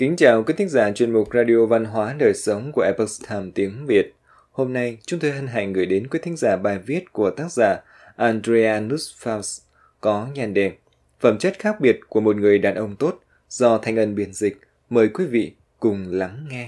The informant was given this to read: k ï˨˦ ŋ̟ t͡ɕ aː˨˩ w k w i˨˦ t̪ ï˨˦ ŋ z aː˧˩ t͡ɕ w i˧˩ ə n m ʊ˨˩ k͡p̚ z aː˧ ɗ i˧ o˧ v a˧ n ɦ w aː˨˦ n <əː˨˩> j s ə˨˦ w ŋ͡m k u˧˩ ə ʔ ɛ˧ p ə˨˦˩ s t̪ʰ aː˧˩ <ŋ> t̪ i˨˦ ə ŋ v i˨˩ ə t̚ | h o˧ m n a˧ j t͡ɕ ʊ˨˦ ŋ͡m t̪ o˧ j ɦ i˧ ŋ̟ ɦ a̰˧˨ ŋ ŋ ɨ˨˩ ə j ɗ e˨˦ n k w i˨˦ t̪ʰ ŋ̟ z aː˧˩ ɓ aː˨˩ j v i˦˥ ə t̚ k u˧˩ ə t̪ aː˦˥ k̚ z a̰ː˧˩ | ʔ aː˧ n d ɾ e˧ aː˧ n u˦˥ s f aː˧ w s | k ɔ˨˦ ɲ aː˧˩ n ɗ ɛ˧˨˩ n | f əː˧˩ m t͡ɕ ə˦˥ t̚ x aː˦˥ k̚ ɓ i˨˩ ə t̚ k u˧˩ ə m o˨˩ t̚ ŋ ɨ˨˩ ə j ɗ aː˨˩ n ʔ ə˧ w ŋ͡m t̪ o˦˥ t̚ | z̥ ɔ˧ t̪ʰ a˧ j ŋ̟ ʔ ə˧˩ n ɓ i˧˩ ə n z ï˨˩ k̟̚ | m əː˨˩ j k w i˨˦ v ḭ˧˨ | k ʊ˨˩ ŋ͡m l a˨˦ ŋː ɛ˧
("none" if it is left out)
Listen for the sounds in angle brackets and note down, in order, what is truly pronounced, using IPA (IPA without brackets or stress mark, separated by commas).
əː˨˩, m